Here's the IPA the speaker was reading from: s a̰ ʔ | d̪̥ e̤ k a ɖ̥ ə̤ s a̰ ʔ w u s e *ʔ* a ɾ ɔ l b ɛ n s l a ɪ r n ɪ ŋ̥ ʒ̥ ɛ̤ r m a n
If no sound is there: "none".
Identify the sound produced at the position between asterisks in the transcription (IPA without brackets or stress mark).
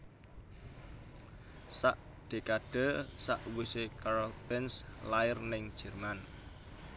k